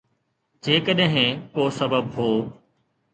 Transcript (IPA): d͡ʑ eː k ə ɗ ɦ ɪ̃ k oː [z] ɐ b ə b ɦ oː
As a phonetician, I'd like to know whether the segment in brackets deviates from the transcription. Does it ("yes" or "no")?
yes